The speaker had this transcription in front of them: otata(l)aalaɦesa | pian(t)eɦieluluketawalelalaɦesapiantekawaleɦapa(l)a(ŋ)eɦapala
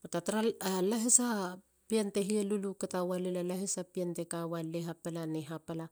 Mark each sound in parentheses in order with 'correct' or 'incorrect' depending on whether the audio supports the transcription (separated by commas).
incorrect, correct, correct, incorrect